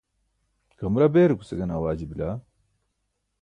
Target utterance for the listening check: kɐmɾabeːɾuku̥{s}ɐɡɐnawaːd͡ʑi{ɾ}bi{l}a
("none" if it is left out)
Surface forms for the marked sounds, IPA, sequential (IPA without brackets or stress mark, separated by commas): s, none, l